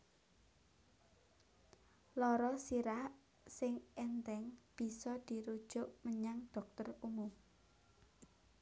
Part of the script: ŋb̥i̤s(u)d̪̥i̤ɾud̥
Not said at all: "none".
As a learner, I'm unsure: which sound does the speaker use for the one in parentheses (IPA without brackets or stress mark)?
ɔ